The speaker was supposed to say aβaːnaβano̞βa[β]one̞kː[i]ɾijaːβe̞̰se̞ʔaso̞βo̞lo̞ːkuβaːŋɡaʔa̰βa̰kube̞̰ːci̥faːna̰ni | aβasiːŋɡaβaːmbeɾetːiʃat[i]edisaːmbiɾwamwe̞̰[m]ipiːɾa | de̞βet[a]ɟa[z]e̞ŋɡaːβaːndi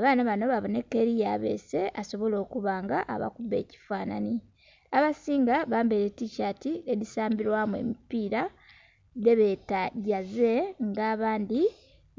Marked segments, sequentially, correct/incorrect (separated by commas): correct, incorrect, correct, correct, correct, correct